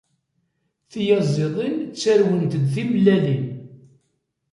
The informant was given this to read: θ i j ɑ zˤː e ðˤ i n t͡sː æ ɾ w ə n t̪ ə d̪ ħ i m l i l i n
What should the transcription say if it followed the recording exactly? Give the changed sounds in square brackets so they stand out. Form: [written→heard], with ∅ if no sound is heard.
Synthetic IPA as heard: θ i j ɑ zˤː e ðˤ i n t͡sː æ ɾ w ə n t̪ ə d̪ [ħ→θ] i m l [i→æ] l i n